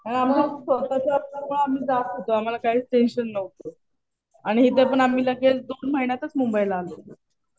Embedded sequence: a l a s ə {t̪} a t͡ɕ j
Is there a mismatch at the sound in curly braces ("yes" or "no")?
no